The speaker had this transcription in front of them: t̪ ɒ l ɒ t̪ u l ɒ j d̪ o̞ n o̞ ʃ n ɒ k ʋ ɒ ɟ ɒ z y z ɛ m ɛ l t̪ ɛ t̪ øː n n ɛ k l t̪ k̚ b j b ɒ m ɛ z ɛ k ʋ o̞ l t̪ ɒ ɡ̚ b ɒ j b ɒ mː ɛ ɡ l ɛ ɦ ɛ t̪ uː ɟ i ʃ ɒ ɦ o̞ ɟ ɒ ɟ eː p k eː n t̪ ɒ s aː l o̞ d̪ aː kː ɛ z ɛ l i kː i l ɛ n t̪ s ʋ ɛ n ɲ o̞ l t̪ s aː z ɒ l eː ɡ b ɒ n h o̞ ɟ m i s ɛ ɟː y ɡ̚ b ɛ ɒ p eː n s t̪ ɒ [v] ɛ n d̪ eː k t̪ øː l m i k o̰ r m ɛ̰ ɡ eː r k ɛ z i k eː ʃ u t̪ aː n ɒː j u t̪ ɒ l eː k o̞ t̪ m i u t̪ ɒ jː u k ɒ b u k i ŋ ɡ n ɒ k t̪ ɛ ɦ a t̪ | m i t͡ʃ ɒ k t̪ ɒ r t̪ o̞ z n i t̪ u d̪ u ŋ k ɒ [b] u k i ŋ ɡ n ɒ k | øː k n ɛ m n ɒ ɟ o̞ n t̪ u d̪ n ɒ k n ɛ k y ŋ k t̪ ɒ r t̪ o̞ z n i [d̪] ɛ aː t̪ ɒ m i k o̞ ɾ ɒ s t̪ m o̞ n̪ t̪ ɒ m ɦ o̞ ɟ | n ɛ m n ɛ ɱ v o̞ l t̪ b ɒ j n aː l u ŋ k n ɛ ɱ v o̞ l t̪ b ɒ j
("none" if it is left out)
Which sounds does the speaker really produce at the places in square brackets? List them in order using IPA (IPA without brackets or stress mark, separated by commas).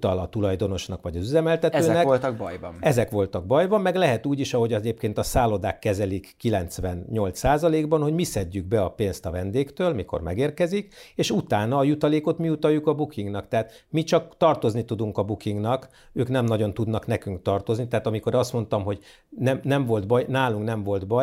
v, b, t̪